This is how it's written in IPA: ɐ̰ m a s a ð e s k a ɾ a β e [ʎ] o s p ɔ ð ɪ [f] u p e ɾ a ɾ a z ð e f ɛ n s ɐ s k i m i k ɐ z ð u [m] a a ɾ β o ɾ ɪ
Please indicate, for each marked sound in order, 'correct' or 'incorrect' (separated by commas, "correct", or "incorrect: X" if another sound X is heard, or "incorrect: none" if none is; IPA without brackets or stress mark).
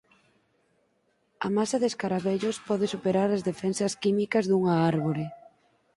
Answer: correct, incorrect: s, incorrect: ŋ